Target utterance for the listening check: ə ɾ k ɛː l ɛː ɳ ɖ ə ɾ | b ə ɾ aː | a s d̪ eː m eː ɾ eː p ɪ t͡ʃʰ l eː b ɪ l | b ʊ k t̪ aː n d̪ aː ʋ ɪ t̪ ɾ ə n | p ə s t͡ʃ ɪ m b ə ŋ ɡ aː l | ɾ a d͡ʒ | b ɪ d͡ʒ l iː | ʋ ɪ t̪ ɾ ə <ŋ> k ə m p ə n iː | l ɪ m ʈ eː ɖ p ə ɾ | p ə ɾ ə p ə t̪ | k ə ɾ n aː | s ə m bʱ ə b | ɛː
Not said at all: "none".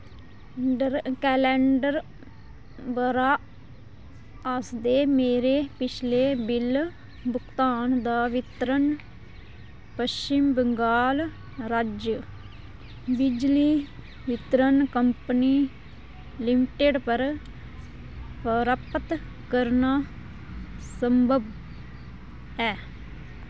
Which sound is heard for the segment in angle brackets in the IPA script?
n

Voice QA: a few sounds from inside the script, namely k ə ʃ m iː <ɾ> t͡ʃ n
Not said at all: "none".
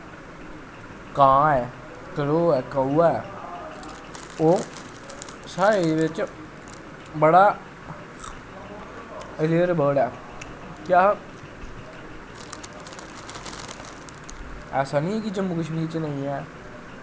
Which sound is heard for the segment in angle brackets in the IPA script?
ɾ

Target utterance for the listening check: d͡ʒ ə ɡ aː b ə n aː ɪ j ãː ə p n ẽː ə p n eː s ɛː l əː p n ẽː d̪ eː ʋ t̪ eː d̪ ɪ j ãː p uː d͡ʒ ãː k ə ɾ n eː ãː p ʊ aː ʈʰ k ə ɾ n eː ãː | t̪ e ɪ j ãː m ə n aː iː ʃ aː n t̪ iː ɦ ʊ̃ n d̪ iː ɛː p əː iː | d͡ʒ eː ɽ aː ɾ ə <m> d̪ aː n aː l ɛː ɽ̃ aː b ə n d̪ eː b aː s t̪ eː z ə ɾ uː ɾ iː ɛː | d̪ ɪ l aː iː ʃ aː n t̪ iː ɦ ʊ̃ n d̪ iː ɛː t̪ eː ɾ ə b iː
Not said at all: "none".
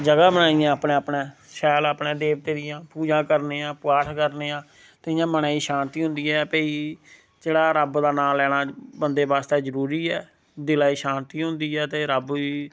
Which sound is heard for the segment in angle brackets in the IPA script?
b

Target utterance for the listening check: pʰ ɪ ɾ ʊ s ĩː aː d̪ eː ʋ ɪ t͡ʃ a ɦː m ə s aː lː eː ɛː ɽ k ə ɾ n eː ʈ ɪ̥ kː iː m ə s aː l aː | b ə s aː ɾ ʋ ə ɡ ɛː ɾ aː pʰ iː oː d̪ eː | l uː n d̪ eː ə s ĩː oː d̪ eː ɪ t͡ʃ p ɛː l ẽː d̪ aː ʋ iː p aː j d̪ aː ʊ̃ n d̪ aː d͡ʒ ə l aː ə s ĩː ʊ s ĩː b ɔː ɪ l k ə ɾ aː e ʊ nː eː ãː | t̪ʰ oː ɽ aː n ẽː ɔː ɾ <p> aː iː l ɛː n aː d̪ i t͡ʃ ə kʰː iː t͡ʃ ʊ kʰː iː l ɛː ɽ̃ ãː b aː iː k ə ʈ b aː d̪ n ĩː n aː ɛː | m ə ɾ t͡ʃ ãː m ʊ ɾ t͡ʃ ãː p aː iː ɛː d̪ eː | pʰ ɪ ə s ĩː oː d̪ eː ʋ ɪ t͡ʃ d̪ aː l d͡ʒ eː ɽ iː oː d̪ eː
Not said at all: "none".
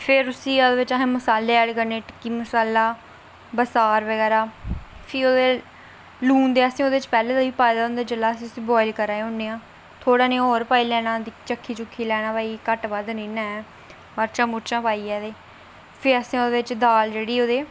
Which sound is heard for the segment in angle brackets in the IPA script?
p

